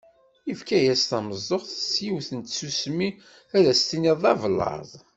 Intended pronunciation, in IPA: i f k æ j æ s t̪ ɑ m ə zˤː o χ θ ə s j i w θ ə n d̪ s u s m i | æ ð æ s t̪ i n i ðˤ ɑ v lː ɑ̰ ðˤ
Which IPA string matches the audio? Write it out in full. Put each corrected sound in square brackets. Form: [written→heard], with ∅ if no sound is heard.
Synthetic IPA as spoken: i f k æ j æ s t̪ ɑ m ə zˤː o χ θ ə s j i w θ ə n [d̪→t̪] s u s m i | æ ð æ s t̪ i n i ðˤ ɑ v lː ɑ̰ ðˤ